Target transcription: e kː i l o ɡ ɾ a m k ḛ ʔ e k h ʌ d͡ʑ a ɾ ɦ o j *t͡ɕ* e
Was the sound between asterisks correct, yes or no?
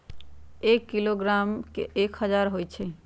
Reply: no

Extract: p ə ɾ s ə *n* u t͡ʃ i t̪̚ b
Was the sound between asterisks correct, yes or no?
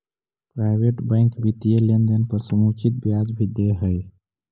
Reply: no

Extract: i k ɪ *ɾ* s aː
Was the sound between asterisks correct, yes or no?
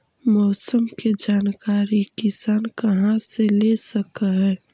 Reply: no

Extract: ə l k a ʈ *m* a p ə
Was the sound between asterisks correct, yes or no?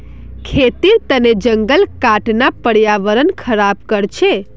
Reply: no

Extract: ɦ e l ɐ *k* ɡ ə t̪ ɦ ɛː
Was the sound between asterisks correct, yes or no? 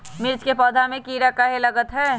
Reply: no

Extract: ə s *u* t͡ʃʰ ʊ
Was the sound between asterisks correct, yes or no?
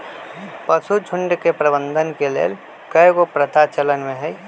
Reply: yes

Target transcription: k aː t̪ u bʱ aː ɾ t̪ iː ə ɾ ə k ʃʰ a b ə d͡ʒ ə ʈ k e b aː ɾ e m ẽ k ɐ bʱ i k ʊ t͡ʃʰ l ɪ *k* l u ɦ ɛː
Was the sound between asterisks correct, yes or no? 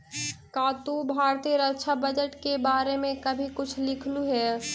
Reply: no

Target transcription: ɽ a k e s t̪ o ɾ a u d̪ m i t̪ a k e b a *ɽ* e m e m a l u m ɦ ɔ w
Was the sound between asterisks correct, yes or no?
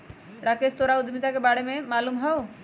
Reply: yes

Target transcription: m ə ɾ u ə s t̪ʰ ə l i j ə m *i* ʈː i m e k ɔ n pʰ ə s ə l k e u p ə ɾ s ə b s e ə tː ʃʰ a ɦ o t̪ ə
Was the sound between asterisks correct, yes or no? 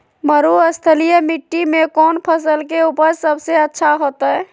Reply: yes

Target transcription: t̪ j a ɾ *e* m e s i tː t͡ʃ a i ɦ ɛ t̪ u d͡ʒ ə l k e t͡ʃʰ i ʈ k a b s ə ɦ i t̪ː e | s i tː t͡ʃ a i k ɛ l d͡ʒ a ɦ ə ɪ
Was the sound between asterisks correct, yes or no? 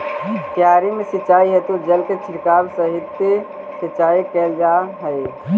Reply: no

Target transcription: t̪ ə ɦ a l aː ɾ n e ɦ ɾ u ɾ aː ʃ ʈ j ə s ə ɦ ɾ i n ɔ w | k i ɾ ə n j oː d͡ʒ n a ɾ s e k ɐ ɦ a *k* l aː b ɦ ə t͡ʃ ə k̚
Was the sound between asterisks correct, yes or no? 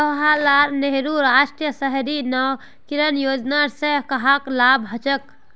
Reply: yes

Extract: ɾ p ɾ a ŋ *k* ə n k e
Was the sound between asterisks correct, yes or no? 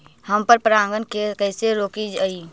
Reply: no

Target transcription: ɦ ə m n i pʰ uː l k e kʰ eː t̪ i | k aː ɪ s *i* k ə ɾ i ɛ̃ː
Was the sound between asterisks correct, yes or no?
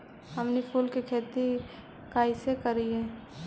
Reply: no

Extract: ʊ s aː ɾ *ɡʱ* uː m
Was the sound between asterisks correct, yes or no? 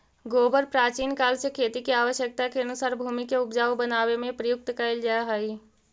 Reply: no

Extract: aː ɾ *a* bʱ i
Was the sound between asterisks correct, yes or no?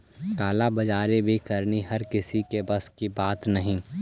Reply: no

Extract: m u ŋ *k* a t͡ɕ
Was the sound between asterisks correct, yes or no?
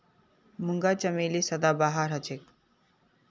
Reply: no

